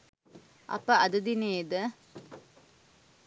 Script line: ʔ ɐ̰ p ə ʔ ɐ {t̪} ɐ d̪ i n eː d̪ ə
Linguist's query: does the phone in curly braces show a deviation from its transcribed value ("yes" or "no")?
yes